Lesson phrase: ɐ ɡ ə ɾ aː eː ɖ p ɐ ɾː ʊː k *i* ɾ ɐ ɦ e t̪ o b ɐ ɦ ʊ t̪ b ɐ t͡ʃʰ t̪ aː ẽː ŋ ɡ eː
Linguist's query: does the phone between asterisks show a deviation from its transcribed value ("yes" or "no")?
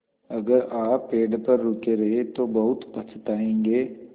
yes